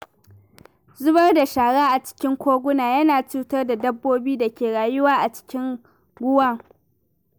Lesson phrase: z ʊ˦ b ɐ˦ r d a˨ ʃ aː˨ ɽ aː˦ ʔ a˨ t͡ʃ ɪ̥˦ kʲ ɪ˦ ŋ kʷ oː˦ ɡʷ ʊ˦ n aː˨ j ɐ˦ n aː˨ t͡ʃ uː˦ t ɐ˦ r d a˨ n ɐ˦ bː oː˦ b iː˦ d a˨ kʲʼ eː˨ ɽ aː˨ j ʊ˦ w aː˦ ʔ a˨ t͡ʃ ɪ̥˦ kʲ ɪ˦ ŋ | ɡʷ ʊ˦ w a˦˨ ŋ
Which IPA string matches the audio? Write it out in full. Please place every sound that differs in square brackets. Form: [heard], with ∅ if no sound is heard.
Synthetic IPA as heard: z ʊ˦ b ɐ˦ r d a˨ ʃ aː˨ ɽ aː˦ ʔ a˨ t͡ʃ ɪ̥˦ kʲ ɪ˦ ŋ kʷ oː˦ ɡʷ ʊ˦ n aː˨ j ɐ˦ n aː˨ t͡ʃ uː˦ t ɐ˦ r d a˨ [d] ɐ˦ bː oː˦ b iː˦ d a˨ [kʲ] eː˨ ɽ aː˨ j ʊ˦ w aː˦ ʔ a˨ t͡ʃ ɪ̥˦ kʲ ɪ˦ ŋ | ɡʷ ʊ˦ w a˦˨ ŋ